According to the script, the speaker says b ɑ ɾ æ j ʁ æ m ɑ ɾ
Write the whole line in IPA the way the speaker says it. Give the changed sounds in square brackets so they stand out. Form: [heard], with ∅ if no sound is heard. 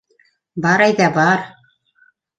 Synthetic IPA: b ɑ ɾ æ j [ð] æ [b] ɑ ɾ